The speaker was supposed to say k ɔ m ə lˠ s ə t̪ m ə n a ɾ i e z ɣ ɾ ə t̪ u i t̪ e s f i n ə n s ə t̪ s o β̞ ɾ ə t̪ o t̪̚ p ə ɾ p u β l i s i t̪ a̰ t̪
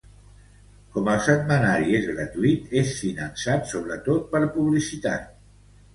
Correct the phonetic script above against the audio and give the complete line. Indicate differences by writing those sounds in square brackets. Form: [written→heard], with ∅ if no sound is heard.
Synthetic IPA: k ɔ m ə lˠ s ə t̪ m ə n a ɾ i e z ɣ ɾ ə t̪ u i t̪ e s f i n ə n s [ə→a] t̪ s o β̞ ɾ ə t̪ o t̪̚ p ə ɾ p u β l i s i t̪ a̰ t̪